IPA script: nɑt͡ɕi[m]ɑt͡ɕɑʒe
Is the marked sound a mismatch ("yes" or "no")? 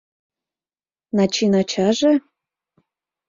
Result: yes